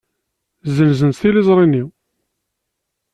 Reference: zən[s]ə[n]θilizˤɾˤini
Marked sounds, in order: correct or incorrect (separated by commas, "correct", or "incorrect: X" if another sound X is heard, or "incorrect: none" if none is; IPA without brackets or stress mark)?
incorrect: z, correct